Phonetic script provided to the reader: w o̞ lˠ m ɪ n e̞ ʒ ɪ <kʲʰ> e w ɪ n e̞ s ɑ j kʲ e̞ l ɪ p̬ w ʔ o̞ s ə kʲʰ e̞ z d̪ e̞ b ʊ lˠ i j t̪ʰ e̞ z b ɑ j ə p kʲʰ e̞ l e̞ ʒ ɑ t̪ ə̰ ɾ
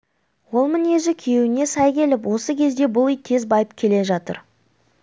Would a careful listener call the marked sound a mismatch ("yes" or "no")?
no